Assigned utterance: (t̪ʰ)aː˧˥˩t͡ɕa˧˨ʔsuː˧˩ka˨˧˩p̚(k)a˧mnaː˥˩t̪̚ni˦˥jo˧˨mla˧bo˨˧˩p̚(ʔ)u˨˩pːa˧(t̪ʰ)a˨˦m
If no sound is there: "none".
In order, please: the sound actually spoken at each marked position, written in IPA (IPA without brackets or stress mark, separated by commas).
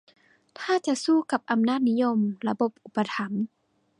t̪ʰ, ʔ, ʔ, t̪ʰ